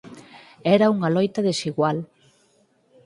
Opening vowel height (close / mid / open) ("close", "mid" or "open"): mid